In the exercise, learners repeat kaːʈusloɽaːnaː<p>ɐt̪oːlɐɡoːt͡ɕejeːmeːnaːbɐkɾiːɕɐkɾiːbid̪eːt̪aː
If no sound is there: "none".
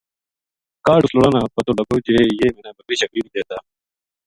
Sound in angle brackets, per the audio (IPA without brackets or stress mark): p